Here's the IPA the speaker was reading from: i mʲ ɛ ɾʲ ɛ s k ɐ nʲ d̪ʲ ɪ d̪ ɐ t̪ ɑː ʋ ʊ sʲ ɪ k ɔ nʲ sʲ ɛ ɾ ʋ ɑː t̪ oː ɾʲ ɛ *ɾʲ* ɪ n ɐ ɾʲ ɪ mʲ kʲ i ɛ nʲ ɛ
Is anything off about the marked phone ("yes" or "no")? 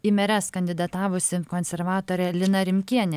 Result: yes